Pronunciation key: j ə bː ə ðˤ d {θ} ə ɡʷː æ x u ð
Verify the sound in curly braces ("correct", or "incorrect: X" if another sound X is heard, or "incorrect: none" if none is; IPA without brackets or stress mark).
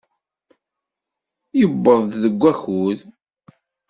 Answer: incorrect: ð